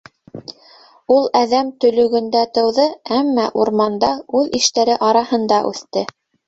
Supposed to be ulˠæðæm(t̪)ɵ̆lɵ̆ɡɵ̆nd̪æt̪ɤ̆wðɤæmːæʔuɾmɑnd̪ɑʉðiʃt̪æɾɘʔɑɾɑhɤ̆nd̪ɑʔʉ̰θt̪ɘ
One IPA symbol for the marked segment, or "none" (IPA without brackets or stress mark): t̪